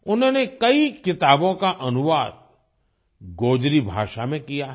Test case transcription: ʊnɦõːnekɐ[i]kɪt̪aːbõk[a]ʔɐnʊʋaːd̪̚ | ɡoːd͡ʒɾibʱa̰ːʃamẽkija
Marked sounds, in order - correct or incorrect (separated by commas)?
correct, correct